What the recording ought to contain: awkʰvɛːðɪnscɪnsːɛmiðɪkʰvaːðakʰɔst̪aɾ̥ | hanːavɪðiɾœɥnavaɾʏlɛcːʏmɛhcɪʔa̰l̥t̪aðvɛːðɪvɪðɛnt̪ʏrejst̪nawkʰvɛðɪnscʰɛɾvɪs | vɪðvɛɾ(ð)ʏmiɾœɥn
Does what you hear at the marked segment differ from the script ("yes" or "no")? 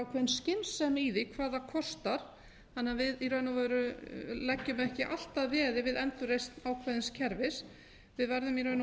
no